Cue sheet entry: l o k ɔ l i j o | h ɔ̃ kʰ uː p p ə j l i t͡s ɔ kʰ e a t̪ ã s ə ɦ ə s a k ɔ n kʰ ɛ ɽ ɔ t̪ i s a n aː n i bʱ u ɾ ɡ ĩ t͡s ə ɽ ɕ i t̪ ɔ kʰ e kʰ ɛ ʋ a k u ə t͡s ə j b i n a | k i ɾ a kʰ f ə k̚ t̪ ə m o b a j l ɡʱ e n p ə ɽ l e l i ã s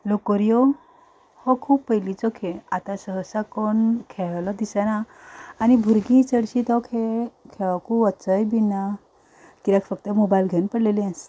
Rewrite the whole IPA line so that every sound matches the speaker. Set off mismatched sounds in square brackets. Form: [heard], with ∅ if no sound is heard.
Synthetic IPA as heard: l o k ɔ [ɾ] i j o | h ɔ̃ kʰ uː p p ə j l i t͡s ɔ kʰ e a t̪ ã s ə ɦ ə s a k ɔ n kʰ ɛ [l] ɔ [d̪] i s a n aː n i bʱ u ɾ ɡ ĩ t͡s ə ɽ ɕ i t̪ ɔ kʰ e kʰ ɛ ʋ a k u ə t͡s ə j b i n a | k i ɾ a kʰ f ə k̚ t̪ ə m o b a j l ɡʱ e n p ə ɽ l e l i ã s

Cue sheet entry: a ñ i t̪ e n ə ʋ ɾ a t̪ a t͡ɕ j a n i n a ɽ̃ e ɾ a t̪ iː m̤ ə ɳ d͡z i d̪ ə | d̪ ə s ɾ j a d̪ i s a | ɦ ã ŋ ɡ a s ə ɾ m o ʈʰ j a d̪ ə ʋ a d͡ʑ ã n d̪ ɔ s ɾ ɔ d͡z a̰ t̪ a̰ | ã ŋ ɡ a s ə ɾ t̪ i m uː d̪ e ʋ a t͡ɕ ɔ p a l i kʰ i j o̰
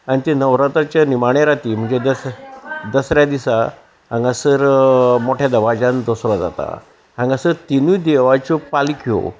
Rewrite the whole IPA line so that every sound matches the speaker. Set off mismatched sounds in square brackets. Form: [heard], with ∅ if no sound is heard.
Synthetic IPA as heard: a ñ i t̪ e n ə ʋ ɾ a t̪ a t͡ɕ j a n i [m] a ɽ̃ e ɾ a t̪ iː m̤ ə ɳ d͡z [e] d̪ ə | d̪ ə s ɾ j a d̪ i s a | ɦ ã ŋ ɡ a s ə ɾ m o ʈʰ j a d̪ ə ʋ a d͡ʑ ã n d̪ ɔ s ɾ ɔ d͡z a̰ t̪ a̰ | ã ŋ ɡ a s ə ɾ t̪ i [n] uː d̪ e ʋ a t͡ɕ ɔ p a l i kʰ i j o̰

